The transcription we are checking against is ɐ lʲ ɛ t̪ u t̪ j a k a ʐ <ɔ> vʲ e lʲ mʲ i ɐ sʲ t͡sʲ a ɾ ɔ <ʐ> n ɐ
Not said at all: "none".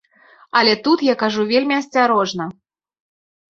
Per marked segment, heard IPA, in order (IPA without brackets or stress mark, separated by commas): u, ʐ